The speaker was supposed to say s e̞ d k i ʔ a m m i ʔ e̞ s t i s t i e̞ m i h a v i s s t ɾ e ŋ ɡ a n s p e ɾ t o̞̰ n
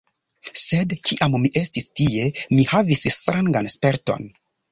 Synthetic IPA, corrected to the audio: s e̞ d k i ʔ a m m i ʔ e̞ s t i s t i e̞ m i h a v i s s t ɾ a ŋ ɡ a n s p e ɾ t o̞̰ n